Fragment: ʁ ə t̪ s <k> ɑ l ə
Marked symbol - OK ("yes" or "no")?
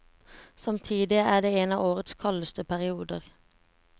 no